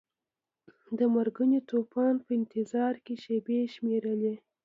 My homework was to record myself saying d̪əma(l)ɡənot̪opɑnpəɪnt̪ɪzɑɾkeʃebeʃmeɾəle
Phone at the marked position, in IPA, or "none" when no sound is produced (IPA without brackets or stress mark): ɾ